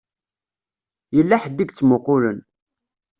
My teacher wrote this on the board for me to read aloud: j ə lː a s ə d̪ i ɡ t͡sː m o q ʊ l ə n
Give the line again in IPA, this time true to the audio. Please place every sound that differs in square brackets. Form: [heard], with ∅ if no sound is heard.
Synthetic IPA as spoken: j ə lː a [ħ] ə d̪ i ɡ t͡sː m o q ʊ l ə n